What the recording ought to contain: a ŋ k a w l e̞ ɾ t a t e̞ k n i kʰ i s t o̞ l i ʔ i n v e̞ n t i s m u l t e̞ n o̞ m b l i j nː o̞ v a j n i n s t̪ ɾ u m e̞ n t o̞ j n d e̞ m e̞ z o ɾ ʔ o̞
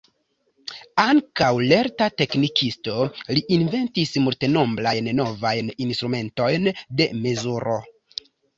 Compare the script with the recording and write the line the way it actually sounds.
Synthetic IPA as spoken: a ŋ k a w l e̞ ɾ t a t e̞ k n i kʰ i s t o̞ l i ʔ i n v e̞ n t i s m u l t e̞ n o̞ m b l a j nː o̞ v a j n i n s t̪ ɾ u m e̞ n t o̞ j n d e̞ m e̞ z u ɾ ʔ o̞